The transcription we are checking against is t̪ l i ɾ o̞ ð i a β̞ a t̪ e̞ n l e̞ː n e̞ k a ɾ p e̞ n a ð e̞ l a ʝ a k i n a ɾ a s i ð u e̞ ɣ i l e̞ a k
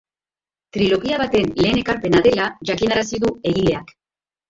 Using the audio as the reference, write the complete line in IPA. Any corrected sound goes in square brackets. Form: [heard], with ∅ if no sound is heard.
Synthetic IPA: t̪ [ɾ] i [l] o̞ [ɣ] i a β̞ a t̪ e̞ n l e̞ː n e̞ k a ɾ p e̞ n a ð e̞ l a ʝ a k i n a ɾ a s i ð u e̞ ɣ i l e̞ a k

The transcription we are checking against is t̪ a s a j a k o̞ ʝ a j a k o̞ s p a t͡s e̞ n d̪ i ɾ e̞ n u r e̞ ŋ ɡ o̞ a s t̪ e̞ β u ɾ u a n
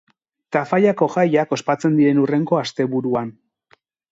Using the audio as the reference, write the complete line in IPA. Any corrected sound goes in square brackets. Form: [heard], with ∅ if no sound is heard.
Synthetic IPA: t̪ a [f] a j a k o̞ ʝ a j a k o̞ s p a t͡s e̞ n d̪ i ɾ e̞ n u r e̞ ŋ ɡ o̞ a s t̪ e̞ β u ɾ u a n

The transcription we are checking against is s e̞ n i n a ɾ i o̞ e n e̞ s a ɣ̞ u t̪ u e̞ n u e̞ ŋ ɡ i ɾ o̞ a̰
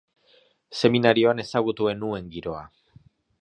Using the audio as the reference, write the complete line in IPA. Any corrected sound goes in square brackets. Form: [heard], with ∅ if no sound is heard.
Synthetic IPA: s e̞ [m] i n a ɾ i o̞ [a] n e̞ s a ɣ̞ u t̪ u e̞ n u e̞ ŋ ɡ i ɾ o̞ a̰

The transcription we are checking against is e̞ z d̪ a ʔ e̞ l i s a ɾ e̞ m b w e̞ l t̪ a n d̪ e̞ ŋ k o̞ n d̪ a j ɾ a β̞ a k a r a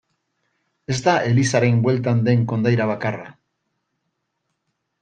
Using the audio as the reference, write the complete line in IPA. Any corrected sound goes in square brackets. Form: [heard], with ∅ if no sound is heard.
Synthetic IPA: e̞ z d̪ a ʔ e̞ l i s a ɾ e̞ m b w e̞ l t̪ a n d̪ e̞ ŋ k o̞ n d̪ a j ɾ a β̞ a k a r a

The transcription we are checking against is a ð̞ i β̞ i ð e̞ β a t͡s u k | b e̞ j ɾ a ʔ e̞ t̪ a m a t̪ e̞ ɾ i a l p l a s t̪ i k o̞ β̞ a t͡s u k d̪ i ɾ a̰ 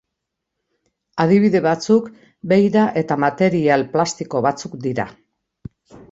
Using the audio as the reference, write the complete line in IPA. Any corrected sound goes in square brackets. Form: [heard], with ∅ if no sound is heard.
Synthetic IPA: a ð̞ i β̞ i ð e̞ β a t͡s u k | b e̞ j ɾ a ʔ e̞ t̪ a m a t̪ e̞ ɾ i a l p l a s t̪ i k o̞ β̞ a t͡s u k d̪ i ɾ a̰

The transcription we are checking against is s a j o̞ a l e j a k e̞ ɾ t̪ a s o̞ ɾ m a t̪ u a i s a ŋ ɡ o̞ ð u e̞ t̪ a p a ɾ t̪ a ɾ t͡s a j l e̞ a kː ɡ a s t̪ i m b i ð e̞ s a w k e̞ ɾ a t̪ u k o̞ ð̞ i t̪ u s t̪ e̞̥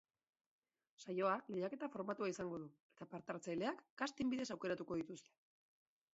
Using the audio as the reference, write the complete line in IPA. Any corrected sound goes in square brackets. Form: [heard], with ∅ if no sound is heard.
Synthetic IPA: s a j o̞ a l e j a k e̞ [∅] t̪ a [f] o̞ ɾ m a t̪ u a i s a ŋ ɡ o̞ ð u e̞ t̪ a p a ɾ t̪ a ɾ t͡s a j l e̞ a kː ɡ a s t̪ i m b i ð e̞ s a w k e̞ ɾ a t̪ u k o̞ ð̞ i t̪ u s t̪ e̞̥

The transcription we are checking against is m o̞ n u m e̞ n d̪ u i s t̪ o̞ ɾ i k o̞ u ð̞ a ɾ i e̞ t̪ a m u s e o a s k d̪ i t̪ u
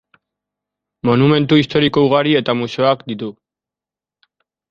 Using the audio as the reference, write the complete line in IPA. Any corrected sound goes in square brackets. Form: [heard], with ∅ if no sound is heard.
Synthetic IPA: m o̞ n u m e̞ n [t̪] u i s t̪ o̞ ɾ i k o̞ u [ɣ̞] a ɾ i e̞ t̪ a m u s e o a [∅] k d̪ i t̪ u

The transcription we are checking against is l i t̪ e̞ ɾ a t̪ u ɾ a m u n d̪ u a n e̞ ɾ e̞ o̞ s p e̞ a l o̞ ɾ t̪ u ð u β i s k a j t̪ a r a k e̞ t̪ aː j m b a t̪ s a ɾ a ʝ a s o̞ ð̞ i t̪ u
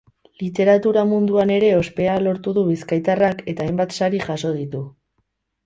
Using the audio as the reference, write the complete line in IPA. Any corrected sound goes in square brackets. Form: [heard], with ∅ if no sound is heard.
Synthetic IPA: l i t̪ e̞ ɾ a t̪ u ɾ a m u n d̪ u a n e̞ ɾ e̞ o̞ s p e̞ a l o̞ ɾ t̪ u ð u β i s k a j t̪ a r a k e̞ t̪ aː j m b a t̪ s a ɾ [i] ʝ a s o̞ ð̞ i t̪ u

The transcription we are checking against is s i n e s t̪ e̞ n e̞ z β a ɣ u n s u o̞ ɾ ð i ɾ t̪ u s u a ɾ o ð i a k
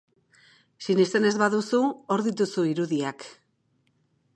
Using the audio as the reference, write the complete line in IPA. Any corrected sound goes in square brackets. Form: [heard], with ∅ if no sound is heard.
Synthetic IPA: s i n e s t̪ e̞ n e̞ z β a [ð] u [∅] s u o̞ ɾ ð i [∅] t̪ u s u [i] ɾ [u] ð i a k

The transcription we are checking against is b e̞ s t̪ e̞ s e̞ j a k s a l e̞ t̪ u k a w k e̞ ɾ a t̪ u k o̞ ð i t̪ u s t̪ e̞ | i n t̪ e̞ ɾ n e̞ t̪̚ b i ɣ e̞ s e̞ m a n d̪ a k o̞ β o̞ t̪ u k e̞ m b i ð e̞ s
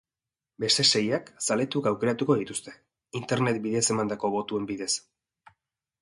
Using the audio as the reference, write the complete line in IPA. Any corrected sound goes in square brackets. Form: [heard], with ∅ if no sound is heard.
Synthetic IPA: b e̞ s t̪ e̞ s e̞ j a k s a l e̞ t̪ u k a w k e̞ ɾ a t̪ u k o̞ ð i t̪ u s t̪ e̞ | i n t̪ e̞ ɾ n e̞ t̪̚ b i [ð] e̞ s e̞ m a n d̪ a k o̞ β o̞ t̪ u [∅] e̞ m b i ð e̞ s

